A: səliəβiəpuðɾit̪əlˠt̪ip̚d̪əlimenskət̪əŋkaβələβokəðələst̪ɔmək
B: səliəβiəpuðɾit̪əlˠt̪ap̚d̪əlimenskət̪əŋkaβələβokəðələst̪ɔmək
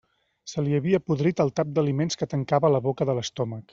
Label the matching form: B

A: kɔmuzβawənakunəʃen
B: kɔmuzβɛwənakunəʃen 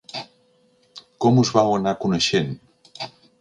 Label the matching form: A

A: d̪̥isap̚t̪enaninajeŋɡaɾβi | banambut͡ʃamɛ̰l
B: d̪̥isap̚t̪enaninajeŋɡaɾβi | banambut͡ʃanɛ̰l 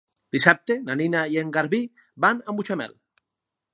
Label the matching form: A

